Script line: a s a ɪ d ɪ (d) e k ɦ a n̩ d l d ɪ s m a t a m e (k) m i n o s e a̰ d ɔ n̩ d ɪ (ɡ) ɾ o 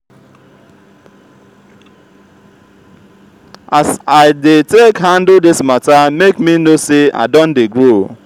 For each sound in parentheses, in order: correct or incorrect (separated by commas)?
incorrect, correct, correct